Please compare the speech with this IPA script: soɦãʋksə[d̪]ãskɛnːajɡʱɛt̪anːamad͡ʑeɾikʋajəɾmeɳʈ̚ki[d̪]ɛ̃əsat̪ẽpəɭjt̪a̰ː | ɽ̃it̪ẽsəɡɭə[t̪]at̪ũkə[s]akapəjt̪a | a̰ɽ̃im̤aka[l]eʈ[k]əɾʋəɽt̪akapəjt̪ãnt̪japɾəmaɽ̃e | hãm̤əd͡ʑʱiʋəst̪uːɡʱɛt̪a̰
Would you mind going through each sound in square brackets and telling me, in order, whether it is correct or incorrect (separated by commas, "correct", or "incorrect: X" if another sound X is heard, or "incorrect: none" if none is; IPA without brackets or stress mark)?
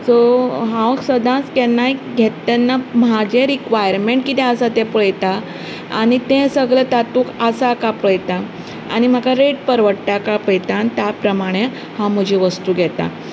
correct, incorrect: t̪, correct, correct, incorrect: ɾ, incorrect: p